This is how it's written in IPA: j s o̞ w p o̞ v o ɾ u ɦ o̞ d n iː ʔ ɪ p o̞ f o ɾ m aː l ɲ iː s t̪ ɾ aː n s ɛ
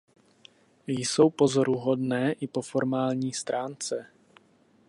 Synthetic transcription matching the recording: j s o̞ w p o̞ z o ɾ u ɦ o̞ d n ɛː ʔ ɪ p o̞ f o ɾ m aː l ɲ iː s t̪ ɾ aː n t͡s ɛ